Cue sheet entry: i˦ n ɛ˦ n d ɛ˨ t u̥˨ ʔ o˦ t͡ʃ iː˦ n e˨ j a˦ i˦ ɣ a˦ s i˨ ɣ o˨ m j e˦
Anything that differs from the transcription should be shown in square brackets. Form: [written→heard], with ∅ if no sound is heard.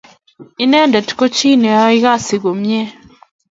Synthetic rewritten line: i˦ n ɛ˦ n d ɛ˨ t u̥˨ [ʔ→k] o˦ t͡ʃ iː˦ n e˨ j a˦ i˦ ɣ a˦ s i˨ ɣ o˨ m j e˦